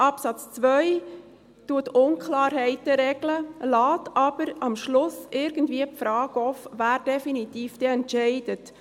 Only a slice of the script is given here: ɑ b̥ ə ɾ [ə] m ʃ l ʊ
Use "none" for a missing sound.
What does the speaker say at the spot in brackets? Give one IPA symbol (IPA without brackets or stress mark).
ɑ